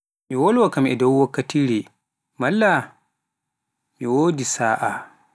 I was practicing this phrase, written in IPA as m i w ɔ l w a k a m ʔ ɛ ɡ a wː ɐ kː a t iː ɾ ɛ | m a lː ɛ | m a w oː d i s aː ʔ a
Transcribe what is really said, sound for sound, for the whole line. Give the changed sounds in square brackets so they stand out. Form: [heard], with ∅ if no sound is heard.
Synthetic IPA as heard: m i w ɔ l w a k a m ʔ ɛ [d] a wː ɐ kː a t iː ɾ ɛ | m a lː [a] | m [i] w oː d i s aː ʔ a

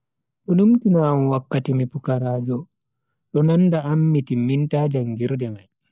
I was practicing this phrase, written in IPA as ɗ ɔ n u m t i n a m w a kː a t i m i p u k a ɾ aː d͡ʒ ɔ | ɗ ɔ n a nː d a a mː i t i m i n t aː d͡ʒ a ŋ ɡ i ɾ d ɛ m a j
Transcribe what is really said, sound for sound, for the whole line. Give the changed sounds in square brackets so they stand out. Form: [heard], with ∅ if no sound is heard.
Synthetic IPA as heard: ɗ ɔ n u m t i n a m w a kː a t i m i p u k a ɾ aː d͡ʒ ɔ | ɗ ɔ n a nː d a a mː i t i m i n t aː d͡ʒ a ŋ ɡ i ɾ d ɛ m a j

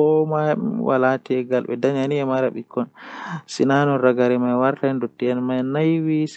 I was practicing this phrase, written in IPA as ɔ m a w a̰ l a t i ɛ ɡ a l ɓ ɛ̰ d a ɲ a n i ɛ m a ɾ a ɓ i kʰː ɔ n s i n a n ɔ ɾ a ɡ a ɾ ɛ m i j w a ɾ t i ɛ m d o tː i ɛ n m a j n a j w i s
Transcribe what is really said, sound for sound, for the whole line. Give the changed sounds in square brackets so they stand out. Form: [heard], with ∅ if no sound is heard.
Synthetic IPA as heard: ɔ m a w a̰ l a t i ɛ ɡ a l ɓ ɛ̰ d a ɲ a n i ɛ m a ɾ a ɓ i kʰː ɔ n s i n a n ɔ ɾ a ɡ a ɾ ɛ m [a] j w a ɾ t [a] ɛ [n] d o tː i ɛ n m a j n a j w i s

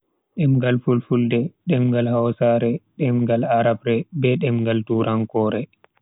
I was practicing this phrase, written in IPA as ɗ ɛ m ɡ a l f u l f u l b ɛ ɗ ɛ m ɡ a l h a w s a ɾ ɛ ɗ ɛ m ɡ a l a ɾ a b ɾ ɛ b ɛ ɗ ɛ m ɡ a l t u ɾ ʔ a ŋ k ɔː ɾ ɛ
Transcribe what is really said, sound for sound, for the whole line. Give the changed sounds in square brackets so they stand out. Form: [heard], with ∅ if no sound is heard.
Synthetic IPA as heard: ɗ ɛ m ɡ a l f u l f u l [d] ɛ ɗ ɛ m ɡ a l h a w s a ɾ ɛ ɗ ɛ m ɡ a l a ɾ a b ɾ ɛ b ɛ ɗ ɛ m ɡ a l t u ɾ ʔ a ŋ k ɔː ɾ ɛ

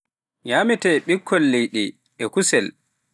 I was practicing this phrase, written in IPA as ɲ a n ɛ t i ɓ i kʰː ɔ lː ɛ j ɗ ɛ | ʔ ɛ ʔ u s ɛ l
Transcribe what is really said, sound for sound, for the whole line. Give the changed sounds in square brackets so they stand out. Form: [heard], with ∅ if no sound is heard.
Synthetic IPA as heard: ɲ a [m] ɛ t [ɛ] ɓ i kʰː ɔ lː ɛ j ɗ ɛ | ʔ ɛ [k] u s ɛ l

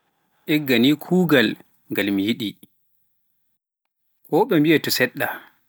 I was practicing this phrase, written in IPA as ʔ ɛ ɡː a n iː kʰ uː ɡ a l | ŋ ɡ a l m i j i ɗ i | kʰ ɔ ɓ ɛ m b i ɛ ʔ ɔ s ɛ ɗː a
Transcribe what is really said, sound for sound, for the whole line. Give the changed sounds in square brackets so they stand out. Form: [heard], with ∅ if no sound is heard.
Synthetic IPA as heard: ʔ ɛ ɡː a n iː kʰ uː ɡ a l | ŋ ɡ a l m i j i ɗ i | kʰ ɔ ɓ ɛ m b i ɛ [t] ɔ s ɛ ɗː a

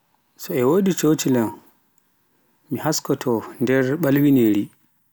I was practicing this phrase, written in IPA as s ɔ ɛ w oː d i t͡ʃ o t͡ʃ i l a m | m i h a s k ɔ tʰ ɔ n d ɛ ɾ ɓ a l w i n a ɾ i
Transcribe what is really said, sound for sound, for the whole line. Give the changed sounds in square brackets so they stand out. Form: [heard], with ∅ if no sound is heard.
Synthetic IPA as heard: s ɔ ɛ w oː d i t͡ʃ o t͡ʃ i l a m | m i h a s k ɔ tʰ ɔ n d ɛ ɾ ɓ a l w i n [e] ɾ i

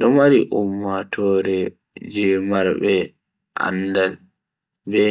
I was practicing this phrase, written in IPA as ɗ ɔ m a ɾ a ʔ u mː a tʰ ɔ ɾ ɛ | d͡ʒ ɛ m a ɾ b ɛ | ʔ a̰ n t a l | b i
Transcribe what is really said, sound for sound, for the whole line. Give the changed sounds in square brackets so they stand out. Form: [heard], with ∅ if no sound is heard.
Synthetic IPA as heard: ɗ ɔ m a ɾ [i] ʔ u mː a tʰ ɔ ɾ ɛ | d͡ʒ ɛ m a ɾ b ɛ | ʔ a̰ n [d] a l | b [ɛ]

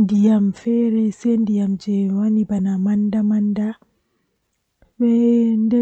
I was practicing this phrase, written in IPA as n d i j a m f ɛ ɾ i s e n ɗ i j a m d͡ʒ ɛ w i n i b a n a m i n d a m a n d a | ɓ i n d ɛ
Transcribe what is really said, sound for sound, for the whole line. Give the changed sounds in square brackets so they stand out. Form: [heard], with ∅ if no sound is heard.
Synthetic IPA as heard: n d i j a m f ɛ ɾ [ɛ] s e n [d] i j a m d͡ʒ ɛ w [a] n i b a n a m [a] n d a m a n d a | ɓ [ɛ] n d ɛ

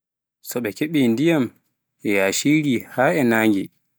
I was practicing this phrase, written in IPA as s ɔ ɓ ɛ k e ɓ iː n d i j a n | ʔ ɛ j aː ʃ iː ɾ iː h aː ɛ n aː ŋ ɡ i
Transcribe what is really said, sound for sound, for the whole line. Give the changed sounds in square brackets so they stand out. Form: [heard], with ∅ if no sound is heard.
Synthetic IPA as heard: s ɔ ɓ ɛ k e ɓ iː n d i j a [m] | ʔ ɛ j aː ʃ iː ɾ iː h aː ɛ n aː ŋ ɡ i

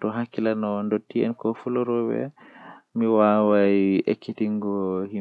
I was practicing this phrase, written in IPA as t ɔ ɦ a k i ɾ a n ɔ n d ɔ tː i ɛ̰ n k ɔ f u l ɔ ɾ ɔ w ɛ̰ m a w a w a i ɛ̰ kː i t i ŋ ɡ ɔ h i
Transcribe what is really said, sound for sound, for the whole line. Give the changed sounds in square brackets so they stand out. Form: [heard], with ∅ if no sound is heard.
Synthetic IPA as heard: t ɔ ɦ a k i [l] a n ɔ n d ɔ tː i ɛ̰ n k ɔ f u l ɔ ɾ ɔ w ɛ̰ m [i] w a w a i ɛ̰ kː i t i ŋ ɡ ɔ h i

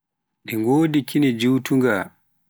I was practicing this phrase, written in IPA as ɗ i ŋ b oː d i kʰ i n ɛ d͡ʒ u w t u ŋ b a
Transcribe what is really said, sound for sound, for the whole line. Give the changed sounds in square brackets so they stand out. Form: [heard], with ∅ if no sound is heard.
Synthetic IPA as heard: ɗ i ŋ [ɡ] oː d i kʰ i n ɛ d͡ʒ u w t u ŋ [ɡ] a

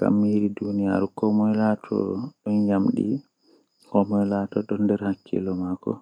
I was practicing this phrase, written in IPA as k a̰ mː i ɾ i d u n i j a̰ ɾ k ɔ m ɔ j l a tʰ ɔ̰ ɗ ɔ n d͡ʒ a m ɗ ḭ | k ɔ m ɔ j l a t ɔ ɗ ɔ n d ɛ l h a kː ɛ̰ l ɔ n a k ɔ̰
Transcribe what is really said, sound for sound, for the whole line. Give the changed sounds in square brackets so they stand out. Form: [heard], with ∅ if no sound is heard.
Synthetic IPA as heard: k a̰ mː i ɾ i d u n i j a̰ ɾ k ɔ m ɔ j l a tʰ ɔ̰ ɗ ɔ n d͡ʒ a m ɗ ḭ | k ɔ m ɔ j l a t ɔ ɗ ɔ n d ɛ [ɾ] h a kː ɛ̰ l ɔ [m] a k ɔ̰

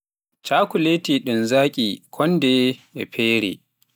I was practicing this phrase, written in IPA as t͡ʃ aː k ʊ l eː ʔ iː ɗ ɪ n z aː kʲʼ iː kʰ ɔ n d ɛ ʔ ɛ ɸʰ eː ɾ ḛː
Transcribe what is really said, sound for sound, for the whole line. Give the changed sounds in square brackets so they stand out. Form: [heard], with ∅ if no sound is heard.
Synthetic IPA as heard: t͡ʃ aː k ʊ l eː [t] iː ɗ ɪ n z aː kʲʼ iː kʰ ɔ n d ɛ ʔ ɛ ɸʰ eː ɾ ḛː

